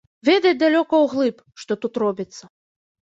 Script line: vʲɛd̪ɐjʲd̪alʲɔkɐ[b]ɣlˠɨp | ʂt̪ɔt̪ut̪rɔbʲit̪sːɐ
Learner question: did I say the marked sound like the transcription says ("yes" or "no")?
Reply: no